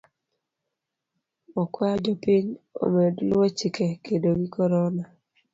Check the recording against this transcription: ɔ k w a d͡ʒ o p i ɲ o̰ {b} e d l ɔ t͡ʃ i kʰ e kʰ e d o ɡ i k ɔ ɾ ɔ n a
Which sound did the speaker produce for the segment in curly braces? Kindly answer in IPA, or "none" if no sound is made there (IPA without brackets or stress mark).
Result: m